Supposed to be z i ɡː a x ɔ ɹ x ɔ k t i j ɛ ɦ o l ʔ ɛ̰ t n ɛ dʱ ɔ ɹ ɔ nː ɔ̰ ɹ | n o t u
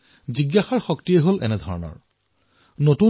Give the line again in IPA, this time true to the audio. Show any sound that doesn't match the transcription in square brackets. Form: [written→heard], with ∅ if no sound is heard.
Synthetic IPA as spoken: z i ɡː a x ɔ ɹ x ɔ k t i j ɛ ɦ o l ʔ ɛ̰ [t→∅] n ɛ dʱ ɔ ɹ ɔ [nː→n] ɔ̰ ɹ | n o t u